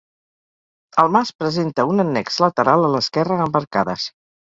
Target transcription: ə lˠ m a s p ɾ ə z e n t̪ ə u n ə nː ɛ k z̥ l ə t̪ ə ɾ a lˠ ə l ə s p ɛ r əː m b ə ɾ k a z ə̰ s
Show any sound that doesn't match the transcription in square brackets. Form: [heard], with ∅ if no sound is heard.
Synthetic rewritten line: ə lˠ m a s p ɾ ə z e n t̪ ə u n ə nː ɛ k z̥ l ə t̪ ə ɾ a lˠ ə l ə s [k] ɛ r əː m b ə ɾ k a [ð] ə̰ s